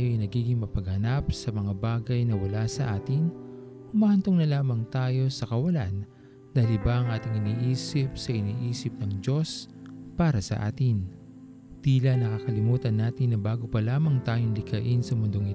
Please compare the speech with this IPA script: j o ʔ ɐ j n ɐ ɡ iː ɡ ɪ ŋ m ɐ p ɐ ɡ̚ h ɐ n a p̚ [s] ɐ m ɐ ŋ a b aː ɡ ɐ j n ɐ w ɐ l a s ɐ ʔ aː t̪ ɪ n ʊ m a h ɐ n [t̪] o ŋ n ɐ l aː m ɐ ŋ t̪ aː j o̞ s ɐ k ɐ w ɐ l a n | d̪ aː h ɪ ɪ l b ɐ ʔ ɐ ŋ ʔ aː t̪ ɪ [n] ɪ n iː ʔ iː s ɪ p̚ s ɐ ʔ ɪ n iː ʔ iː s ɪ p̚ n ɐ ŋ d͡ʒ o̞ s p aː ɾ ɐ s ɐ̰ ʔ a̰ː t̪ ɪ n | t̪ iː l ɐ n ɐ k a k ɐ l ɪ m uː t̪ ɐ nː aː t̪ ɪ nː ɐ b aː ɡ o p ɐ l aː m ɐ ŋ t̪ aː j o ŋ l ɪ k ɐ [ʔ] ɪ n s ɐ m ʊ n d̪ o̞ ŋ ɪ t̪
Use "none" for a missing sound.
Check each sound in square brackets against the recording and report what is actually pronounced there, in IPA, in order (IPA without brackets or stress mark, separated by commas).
s, t̪, ŋ, ʔ